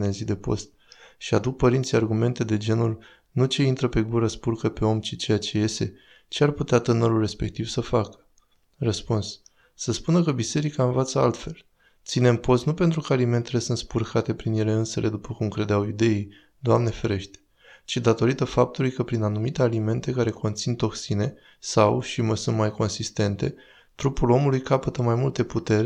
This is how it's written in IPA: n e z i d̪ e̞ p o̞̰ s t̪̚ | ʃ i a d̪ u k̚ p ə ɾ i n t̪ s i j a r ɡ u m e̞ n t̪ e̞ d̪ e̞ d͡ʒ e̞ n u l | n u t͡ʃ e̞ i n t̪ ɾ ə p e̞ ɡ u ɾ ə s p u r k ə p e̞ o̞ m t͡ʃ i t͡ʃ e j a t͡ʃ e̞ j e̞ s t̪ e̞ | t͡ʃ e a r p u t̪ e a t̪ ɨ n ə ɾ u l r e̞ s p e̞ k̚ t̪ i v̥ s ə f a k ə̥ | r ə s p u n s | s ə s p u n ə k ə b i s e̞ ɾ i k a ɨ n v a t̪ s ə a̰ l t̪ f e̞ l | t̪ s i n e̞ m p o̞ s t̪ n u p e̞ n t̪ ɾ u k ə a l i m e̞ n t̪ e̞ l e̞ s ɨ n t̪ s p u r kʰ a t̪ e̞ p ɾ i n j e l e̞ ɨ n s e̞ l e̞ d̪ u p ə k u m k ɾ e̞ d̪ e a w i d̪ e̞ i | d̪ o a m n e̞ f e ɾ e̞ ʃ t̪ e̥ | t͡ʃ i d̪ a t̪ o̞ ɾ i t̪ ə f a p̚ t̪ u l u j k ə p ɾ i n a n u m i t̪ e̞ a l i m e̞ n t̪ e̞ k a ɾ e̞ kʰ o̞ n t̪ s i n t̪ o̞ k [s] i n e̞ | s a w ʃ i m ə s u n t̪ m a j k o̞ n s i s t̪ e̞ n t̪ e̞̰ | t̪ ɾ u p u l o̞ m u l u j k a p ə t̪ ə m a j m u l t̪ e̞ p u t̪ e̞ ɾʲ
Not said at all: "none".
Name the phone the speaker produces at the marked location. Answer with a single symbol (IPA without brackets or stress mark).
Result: s